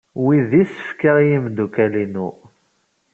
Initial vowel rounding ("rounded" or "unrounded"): unrounded